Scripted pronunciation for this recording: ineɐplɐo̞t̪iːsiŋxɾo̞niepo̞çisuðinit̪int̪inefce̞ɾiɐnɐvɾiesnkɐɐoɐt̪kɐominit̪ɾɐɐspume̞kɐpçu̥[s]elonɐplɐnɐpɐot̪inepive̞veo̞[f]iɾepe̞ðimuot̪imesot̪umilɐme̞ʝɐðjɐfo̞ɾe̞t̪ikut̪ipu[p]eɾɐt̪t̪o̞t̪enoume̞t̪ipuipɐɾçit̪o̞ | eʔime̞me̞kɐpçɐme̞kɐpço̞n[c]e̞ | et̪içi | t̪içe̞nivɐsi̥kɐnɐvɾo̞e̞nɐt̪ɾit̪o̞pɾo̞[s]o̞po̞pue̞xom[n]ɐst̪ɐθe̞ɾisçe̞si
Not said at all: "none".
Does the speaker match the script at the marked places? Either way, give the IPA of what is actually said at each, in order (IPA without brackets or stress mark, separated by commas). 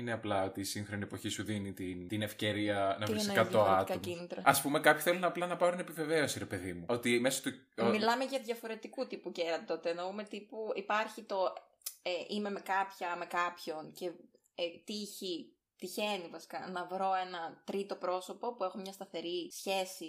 θ, s, c, c, s, ɲ